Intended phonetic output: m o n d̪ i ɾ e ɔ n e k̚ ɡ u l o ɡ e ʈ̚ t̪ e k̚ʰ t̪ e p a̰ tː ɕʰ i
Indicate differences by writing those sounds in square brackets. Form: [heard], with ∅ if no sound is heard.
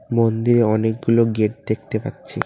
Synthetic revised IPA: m o n d̪ i ɾ e ɔ n e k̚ ɡ u l o ɡ e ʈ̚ [d̪] e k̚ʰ t̪ e p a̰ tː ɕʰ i

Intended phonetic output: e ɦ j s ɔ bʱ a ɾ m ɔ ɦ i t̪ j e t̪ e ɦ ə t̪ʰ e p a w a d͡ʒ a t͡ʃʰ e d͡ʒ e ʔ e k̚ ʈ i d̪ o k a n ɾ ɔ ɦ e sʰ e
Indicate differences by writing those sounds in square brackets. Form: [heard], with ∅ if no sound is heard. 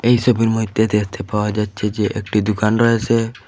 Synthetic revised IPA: e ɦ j s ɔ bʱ [i] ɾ m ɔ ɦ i t̪ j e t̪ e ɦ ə t̪ʰ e p a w a d͡ʒ a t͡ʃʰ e d͡ʒ e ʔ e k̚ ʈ i d̪ [u] k a n ɾ ɔ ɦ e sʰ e

